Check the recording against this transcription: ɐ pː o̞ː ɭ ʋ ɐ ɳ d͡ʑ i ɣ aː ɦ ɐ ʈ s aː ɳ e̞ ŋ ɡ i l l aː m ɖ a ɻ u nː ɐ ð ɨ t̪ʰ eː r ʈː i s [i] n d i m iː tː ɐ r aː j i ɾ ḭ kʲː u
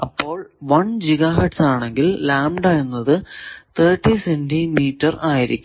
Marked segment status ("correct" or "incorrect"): incorrect